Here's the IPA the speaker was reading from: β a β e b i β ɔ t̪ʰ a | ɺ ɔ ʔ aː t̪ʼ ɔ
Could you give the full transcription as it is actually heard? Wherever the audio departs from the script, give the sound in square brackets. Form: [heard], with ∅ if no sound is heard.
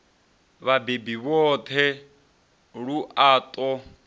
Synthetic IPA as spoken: β a [b] e b i β ɔ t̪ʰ [ɛ] | ɺ [u] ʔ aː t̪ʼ ɔ